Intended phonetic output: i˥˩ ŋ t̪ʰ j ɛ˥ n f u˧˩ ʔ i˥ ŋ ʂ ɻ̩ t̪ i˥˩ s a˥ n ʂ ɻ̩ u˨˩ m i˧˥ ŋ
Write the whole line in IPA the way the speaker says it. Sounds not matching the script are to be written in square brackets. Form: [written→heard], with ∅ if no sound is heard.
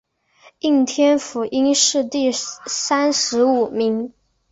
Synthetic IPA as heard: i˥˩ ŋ t̪ʰ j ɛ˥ n f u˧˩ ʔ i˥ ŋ ʂ ɻ̩ t̪ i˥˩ s a˥ n ʂ ɻ̩ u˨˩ m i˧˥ ŋ

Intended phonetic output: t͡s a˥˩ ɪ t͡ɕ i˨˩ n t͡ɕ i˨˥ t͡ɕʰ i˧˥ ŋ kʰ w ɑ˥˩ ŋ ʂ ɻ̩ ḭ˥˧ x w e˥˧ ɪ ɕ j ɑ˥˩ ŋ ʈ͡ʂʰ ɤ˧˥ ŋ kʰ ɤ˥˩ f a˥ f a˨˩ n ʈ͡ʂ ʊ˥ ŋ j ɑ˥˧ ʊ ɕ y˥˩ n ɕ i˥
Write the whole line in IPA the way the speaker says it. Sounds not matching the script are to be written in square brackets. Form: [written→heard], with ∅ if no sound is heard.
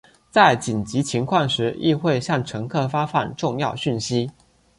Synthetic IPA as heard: t͡s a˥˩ ɪ t͡ɕ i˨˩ n t͡ɕ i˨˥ t͡ɕʰ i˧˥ ŋ kʰ w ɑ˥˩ ŋ ʂ ɻ̩ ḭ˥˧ x w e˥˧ ɪ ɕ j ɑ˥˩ ŋ ʈ͡ʂʰ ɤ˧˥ ŋ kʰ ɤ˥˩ f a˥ f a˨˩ n ʈ͡ʂ [ʊ˥→ʊ˥˧] ŋ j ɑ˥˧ ʊ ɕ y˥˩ n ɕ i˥

